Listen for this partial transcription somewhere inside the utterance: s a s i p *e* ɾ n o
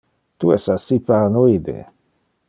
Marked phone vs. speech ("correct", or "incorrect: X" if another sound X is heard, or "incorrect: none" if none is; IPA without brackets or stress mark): incorrect: a